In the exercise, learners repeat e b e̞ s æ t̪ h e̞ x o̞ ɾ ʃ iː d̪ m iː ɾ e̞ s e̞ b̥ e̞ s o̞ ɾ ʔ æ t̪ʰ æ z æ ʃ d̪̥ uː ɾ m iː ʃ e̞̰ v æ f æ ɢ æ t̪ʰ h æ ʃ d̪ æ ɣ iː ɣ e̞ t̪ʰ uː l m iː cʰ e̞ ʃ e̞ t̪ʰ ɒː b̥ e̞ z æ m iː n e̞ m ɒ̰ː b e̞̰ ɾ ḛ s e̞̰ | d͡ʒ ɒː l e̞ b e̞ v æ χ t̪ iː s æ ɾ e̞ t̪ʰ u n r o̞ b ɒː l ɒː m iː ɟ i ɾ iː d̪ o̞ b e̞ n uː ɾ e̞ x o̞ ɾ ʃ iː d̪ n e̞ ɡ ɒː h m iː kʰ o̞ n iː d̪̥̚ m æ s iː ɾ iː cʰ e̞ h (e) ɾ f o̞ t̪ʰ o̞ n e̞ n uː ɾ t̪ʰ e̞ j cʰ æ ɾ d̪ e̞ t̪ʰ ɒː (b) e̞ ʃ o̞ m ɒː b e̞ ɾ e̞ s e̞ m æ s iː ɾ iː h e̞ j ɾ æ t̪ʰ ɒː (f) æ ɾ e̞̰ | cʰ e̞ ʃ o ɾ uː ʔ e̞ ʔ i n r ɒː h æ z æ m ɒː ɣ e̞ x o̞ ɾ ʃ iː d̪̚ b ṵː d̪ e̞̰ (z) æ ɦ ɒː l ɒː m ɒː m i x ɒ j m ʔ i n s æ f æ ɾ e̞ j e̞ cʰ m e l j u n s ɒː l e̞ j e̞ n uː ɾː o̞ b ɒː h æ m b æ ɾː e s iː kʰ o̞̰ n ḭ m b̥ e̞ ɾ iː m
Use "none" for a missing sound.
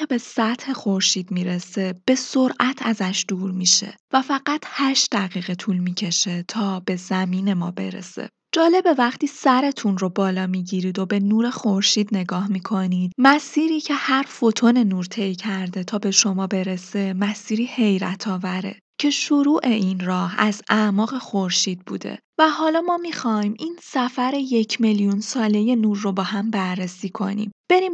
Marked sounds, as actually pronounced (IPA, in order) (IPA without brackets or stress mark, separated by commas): æ, b, v, v